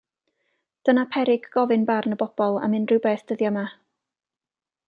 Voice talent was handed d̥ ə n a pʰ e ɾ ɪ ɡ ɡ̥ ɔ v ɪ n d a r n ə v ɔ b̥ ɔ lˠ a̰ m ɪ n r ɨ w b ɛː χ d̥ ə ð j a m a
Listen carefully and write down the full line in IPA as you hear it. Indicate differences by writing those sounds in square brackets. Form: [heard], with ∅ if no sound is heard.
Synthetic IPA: d̥ ə n a pʰ [ɛ] ɾ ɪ ɡ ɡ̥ ɔ v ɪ n [b] a r n ə [b] ɔ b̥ ɔ lˠ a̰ m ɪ n r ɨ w b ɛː [θ] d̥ ə ð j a m a